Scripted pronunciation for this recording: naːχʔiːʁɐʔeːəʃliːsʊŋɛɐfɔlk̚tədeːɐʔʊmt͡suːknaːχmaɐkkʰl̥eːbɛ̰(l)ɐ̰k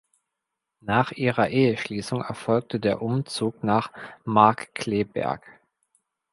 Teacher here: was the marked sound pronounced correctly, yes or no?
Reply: no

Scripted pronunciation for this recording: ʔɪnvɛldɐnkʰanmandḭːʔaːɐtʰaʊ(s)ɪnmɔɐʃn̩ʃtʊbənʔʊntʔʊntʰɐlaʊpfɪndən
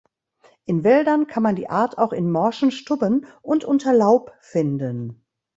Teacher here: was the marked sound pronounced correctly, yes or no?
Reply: no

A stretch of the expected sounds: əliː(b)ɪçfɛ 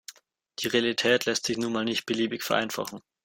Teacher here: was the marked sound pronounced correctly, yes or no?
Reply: yes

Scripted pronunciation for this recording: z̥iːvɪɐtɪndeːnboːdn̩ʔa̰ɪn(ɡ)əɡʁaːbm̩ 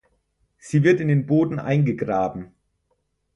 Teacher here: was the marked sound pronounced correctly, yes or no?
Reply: yes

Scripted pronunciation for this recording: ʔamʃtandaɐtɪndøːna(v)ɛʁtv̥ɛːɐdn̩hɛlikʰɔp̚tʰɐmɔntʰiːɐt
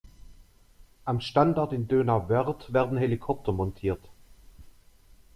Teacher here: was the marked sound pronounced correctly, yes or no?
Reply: yes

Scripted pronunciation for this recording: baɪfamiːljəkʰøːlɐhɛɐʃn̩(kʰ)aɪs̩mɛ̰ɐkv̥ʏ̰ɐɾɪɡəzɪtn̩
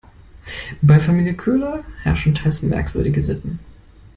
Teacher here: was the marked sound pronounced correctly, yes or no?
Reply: no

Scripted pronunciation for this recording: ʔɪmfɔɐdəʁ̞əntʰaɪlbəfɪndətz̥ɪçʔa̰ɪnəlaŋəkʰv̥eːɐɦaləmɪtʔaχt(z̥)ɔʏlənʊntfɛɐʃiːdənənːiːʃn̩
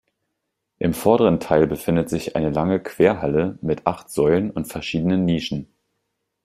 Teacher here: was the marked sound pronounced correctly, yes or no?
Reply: yes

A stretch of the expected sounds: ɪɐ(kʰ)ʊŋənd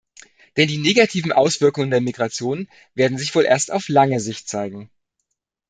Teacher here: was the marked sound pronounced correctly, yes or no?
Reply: no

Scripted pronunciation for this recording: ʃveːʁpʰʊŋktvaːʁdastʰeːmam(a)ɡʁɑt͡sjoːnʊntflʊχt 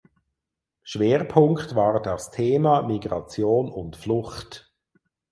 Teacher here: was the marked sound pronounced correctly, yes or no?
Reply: no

